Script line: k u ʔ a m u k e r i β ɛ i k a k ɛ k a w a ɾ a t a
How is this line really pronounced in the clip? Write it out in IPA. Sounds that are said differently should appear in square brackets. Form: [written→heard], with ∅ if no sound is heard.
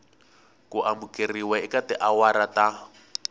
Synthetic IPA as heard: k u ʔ a m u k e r i [β→w] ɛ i k a [k→t] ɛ [k→ʔ] a w a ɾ a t a